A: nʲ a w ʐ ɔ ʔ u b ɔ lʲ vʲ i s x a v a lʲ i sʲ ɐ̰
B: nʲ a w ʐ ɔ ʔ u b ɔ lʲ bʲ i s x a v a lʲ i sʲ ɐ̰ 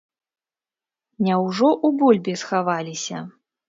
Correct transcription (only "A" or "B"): B